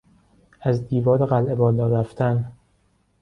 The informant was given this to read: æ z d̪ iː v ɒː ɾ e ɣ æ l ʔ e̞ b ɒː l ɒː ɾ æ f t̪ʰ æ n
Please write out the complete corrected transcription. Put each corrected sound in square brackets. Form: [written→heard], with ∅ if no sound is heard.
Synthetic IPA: æ z d̪ iː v ɒː ɾ e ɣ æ l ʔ e̞ b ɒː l ɒː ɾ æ f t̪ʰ æ n

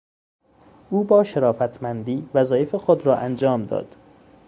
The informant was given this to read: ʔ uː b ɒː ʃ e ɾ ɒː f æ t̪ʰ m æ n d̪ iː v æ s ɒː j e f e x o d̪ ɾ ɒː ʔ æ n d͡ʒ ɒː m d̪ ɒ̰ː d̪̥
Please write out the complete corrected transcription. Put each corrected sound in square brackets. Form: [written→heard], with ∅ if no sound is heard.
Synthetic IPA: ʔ uː b ɒː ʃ e ɾ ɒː f æ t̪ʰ m æ n d̪ iː v æ [s→z] ɒː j e f e x o d̪ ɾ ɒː ʔ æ n d͡ʒ ɒː m d̪ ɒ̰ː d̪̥

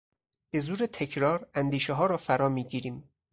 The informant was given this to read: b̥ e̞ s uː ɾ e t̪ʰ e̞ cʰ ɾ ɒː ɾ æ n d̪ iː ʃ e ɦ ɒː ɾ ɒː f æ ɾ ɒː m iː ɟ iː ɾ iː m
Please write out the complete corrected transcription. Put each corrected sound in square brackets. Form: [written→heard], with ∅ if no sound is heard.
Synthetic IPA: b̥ e̞ [s→z] uː ɾ e t̪ʰ e̞ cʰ ɾ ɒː ɾ æ n d̪ iː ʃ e ɦ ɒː ɾ ɒː f æ ɾ ɒː m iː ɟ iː ɾ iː m

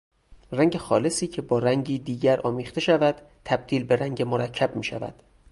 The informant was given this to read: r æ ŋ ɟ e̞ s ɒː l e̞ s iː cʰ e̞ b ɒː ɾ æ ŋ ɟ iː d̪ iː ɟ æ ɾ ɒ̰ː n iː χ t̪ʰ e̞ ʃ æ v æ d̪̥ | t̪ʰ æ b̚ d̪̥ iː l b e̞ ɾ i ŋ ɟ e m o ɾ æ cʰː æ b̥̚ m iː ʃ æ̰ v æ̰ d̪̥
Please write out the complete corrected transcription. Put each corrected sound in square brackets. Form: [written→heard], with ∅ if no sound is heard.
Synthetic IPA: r æ ŋ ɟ e̞ [s→x] ɒː l e̞ s iː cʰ e̞ b ɒː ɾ æ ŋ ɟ iː d̪ iː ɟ æ ɾ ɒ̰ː [n→m] iː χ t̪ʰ e̞ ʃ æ v æ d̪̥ | t̪ʰ æ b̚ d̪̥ iː l b e̞ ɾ [i→æ] ŋ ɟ e m o ɾ æ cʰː æ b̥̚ m iː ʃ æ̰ v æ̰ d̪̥

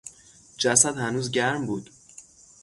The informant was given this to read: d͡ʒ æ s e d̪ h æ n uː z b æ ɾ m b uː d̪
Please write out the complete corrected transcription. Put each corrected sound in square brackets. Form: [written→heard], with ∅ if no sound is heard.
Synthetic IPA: d͡ʒ æ s [e→æ] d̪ h æ n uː z [b→ɟ] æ ɾ m b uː d̪

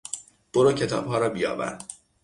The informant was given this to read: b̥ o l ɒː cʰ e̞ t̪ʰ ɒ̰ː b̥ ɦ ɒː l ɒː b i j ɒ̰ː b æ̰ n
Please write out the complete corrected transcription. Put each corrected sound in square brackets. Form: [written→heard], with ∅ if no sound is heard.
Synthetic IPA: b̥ o [l→ɾ] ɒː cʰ e̞ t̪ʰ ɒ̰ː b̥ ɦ ɒː [l→ɾ] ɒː b i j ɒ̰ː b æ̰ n

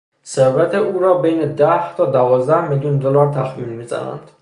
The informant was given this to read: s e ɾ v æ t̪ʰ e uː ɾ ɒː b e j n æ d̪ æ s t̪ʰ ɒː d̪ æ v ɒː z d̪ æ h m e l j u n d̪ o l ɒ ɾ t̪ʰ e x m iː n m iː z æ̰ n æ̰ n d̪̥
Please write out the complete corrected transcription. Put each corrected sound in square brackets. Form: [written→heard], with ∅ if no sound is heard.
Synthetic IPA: s e ɾ v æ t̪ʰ e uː ɾ ɒː b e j n [æ→e] d̪ æ [s→h] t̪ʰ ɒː d̪ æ v ɒː z d̪ æ h m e l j u n d̪ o l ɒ ɾ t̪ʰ [e→æ] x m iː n m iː z æ̰ n æ̰ n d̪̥

